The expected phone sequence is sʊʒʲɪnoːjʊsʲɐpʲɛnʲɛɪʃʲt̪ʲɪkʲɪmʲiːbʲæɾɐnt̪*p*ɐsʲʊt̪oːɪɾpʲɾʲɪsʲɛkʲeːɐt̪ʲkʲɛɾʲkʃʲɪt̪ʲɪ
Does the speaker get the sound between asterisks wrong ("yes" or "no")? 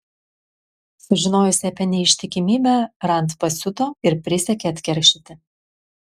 no